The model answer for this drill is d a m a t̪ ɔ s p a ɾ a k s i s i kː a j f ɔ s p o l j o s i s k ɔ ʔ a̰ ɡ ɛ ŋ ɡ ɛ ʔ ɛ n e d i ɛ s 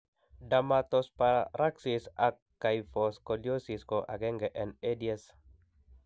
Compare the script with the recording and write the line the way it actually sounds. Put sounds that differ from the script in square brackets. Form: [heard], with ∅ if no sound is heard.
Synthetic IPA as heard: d a m a t̪ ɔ s p a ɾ a k s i s [a] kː a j f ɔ s [k] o l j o s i s k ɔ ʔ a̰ ɡ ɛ ŋ ɡ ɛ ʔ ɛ n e d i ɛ s

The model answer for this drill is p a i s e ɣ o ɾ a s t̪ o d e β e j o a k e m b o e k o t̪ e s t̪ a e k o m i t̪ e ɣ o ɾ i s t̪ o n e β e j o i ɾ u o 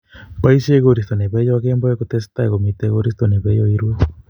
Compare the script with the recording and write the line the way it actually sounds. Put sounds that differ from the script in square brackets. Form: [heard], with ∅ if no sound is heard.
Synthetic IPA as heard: p a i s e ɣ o ɾ [i] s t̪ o [n] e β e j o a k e m b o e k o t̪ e s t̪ a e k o m i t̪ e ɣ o ɾ i s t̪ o n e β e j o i ɾ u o

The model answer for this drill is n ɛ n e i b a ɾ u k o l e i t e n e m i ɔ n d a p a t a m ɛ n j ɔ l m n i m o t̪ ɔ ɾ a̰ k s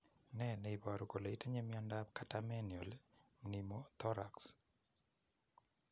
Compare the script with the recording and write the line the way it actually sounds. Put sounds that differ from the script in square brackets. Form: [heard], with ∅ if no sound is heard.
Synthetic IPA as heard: n ɛ n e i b a ɾ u k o l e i t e [ɲ] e m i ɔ n d a [k] a t a m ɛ n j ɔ l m n i m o t̪ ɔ ɾ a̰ k s

